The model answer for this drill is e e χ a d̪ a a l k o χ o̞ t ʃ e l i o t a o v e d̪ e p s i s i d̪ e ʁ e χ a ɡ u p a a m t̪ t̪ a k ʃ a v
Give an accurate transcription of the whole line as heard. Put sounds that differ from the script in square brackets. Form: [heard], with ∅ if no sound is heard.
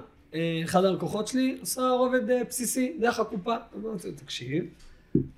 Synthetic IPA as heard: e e χ a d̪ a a l k o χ o̞ t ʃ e l i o [s] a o v e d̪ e p s i s i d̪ e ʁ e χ a [k] u p a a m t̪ t̪ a k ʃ [i] v